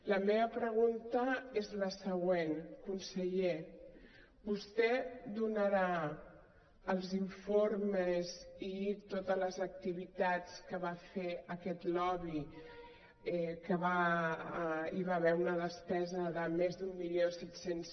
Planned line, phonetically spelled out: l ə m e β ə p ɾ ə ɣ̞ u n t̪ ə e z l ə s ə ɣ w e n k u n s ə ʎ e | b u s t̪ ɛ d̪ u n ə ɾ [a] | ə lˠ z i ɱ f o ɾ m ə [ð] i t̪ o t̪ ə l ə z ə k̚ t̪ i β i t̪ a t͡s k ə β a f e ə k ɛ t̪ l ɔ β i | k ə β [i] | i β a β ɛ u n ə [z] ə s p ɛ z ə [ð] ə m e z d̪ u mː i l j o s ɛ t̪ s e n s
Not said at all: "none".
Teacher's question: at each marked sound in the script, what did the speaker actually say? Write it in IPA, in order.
a, z, a, ð, ð

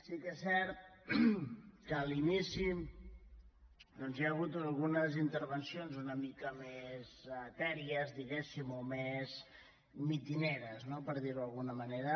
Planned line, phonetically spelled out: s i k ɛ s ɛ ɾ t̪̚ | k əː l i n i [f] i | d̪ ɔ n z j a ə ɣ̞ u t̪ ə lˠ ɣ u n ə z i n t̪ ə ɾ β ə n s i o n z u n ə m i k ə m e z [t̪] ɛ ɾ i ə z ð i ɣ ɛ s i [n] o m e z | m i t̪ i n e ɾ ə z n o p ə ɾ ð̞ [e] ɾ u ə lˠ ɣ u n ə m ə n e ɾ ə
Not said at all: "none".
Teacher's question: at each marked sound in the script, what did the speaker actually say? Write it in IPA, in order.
s, t̪, m, i

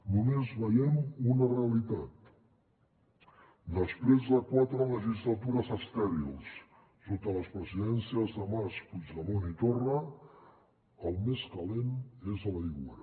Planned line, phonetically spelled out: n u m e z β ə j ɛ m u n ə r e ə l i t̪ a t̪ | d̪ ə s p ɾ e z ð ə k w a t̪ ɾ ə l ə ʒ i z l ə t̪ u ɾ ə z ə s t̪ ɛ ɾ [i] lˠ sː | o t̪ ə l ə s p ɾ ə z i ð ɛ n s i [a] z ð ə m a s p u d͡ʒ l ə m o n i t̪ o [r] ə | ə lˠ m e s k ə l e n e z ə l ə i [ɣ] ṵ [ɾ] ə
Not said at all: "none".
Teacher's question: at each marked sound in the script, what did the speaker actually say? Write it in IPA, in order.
i, ə, r, ɣ, ɾ

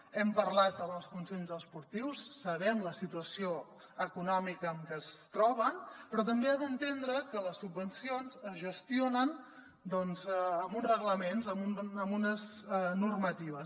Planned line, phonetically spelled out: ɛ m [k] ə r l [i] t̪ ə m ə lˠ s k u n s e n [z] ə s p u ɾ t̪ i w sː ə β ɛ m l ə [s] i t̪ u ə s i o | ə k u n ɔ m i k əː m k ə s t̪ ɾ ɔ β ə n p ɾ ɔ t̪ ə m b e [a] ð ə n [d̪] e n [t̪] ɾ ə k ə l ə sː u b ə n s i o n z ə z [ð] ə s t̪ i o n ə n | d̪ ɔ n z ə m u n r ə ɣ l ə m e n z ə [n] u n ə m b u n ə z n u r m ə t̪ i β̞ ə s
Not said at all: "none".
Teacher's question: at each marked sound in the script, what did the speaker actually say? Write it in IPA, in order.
p, a, z, s, a, t̪, d̪, ʒ, m

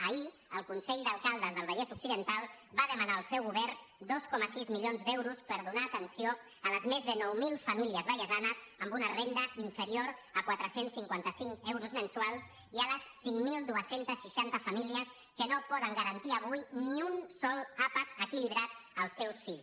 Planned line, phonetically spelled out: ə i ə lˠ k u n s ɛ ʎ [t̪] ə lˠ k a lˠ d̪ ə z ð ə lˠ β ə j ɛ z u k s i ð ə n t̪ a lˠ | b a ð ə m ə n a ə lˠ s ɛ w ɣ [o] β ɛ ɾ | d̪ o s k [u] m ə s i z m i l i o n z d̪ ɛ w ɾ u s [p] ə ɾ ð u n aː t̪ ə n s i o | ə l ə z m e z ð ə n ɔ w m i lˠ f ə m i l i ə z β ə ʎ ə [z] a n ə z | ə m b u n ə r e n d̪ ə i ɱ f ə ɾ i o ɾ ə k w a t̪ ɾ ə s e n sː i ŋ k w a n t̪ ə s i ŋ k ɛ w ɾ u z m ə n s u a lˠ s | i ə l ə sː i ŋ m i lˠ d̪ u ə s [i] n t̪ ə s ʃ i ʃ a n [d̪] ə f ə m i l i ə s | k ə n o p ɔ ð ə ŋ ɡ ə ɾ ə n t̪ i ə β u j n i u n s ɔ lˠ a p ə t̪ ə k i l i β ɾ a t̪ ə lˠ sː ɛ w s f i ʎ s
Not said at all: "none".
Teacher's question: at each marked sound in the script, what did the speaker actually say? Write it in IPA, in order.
d̪, u, ɔ, p, z, e, t̪

